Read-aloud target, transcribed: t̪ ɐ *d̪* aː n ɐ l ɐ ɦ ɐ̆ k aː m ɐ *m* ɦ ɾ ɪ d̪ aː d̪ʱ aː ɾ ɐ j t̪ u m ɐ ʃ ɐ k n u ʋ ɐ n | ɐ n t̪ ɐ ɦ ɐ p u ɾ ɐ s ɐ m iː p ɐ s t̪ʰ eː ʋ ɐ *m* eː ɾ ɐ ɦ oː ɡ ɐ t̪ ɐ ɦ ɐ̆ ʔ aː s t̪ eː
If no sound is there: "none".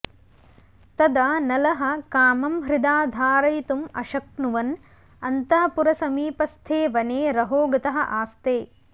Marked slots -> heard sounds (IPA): d̪, m, n

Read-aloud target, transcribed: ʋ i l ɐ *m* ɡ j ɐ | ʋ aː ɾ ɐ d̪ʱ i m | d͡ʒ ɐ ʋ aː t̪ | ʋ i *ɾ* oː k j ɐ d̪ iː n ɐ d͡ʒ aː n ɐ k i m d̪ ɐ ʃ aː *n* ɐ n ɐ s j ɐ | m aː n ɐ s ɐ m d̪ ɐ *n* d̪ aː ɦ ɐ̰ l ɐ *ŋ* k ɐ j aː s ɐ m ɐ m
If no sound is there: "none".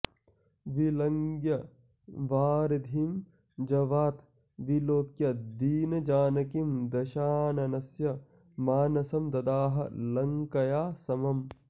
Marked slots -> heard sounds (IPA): ŋ, l, n, none, ŋ

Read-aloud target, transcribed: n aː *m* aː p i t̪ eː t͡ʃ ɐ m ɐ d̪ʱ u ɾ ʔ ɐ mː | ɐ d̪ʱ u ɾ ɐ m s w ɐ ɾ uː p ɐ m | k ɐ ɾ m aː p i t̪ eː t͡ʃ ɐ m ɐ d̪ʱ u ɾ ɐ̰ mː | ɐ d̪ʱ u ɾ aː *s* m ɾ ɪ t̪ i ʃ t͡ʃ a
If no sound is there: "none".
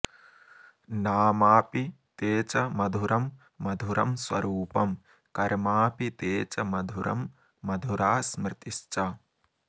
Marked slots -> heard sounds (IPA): m, s

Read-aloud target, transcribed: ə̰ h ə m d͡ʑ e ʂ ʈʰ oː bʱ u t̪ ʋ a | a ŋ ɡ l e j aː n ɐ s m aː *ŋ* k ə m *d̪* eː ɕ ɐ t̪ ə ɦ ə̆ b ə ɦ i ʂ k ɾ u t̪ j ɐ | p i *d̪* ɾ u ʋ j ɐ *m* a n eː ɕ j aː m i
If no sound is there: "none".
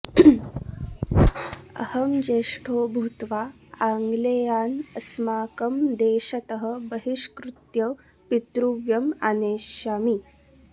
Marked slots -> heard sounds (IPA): none, d̪, t̪, m

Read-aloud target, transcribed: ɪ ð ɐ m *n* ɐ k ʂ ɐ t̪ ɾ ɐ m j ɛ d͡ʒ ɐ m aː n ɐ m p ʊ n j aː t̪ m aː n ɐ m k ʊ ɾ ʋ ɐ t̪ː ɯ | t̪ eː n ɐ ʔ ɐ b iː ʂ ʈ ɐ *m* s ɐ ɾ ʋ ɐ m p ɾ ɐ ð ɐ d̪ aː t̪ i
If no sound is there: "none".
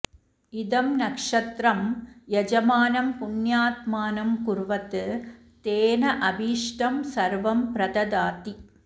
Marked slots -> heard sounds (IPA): n, m

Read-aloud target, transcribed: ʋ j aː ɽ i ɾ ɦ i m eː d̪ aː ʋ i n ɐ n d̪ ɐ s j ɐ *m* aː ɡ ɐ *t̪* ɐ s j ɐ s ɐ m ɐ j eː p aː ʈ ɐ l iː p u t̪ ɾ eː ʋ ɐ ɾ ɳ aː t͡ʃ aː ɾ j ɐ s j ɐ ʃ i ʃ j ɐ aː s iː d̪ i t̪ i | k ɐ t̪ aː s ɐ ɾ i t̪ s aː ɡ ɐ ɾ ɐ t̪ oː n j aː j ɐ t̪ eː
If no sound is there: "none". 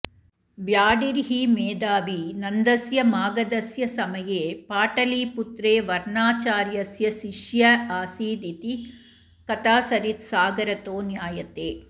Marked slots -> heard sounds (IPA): m, d̪

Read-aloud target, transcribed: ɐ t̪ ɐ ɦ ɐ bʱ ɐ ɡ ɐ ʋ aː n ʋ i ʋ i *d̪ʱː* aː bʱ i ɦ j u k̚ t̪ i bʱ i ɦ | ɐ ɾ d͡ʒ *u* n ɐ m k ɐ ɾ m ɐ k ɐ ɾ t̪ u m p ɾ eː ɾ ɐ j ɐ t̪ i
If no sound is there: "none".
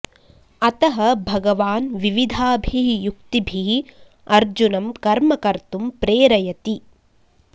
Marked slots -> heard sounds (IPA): d̪ʱ, u

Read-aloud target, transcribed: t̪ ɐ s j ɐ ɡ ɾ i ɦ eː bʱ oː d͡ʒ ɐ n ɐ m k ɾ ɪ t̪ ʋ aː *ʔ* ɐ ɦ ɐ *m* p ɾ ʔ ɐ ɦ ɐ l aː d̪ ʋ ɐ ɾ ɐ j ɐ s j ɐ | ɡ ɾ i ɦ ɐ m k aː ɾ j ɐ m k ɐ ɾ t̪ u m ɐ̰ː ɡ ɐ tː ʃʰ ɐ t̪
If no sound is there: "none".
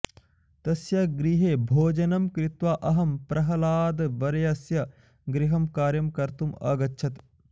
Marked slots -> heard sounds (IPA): ʔ, m

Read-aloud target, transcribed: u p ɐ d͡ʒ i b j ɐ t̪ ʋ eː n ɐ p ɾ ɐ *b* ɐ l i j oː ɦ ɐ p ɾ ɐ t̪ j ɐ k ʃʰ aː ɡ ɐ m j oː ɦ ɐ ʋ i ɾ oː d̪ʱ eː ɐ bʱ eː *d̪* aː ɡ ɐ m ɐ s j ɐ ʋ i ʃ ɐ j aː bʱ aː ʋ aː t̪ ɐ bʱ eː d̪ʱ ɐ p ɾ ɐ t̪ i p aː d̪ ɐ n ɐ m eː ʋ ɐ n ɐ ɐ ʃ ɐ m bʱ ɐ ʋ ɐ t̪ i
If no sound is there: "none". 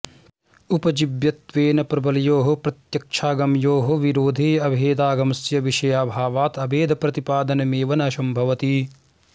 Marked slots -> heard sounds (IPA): b, d̪

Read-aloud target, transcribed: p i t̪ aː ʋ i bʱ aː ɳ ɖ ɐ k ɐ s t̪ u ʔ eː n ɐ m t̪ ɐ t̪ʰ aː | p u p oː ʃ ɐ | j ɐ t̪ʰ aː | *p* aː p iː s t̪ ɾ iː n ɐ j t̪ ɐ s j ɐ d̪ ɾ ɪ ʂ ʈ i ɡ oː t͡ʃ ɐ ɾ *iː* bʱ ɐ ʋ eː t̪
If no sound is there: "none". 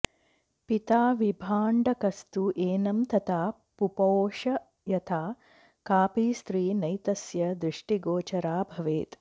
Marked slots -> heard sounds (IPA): k, aː

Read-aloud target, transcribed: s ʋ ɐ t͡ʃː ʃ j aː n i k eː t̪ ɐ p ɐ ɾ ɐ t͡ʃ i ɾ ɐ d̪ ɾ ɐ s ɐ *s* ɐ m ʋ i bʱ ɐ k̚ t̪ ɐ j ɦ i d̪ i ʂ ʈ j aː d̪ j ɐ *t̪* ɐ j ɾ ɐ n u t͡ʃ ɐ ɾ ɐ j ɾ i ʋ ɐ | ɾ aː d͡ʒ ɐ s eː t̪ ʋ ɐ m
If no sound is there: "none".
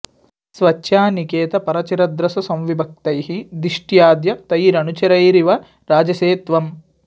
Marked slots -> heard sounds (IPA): s, t̪

